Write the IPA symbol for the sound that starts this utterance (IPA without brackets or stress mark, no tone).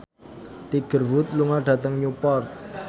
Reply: t̪